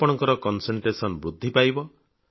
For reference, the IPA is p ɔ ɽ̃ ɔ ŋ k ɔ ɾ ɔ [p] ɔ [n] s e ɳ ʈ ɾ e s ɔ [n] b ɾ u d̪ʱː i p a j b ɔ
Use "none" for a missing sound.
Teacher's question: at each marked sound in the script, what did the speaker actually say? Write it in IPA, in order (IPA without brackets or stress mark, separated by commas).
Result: k, n, n